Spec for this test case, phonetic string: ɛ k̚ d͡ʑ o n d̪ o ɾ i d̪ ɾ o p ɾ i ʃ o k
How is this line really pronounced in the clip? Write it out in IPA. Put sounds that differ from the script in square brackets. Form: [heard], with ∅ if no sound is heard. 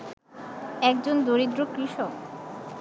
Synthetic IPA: ɛ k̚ d͡ʑ o n d̪ o ɾ i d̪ ɾ o [k] ɾ i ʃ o k